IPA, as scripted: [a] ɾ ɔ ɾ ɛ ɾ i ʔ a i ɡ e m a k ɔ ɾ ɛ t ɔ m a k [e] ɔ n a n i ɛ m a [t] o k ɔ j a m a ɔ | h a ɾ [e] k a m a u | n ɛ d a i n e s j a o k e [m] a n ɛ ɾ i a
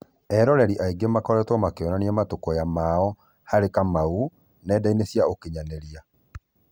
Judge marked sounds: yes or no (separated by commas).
no, yes, yes, yes, no